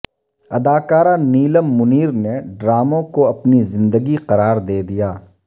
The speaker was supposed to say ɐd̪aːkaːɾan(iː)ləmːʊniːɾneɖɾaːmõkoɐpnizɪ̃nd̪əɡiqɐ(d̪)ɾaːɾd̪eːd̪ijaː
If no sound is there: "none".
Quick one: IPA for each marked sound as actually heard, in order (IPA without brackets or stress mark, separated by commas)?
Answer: iː, none